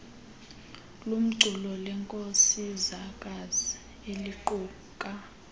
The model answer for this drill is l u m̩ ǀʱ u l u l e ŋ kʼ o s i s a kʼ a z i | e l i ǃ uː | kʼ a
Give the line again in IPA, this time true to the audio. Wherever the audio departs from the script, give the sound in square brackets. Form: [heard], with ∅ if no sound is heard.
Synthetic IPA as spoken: l u m̩ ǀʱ u l [ɔ] l [ɛ] ŋ kʼ o s i [z] a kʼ a z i | e l i ǃ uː | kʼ a